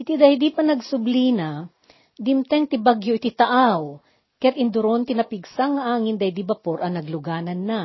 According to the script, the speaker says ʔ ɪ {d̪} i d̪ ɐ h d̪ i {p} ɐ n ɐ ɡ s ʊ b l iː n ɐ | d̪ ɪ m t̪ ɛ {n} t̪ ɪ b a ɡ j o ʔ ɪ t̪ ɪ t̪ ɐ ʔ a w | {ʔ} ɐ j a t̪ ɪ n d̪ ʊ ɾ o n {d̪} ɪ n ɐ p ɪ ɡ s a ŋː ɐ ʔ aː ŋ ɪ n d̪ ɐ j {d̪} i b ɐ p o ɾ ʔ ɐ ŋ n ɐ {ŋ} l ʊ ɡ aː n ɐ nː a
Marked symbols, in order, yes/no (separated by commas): no, yes, no, no, no, yes, no